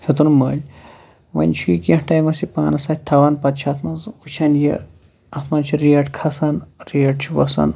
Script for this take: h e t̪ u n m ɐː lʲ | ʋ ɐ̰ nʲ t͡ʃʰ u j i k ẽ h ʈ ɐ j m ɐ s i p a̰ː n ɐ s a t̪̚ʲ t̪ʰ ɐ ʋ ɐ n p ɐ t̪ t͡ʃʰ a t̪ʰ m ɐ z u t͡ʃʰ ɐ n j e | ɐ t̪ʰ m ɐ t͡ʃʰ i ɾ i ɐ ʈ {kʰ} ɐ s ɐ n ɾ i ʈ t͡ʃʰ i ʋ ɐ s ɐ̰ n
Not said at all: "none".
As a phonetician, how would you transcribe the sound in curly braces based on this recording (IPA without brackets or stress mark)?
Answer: kʰ